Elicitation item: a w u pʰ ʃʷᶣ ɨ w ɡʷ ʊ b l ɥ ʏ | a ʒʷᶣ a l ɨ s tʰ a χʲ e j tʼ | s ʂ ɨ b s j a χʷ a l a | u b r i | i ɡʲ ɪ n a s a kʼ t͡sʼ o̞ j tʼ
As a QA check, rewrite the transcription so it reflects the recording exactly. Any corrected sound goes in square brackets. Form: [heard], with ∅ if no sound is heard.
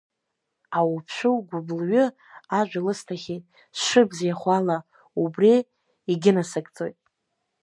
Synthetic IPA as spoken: a w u pʰ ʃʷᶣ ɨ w ɡʷ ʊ b l ɥ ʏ | a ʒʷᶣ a l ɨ s tʰ a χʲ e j tʼ | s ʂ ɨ b [z] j a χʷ a l a | u b r i | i ɡʲ ɪ n a s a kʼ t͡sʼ o̞ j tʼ